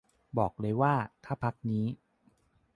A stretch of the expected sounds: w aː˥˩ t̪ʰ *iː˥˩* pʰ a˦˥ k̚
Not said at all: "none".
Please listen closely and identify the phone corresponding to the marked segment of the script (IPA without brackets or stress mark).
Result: aː˥˩